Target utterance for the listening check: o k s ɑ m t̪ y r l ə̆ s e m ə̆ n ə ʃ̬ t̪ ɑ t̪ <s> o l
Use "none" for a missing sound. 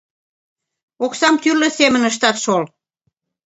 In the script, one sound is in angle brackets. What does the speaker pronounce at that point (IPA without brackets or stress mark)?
ʃ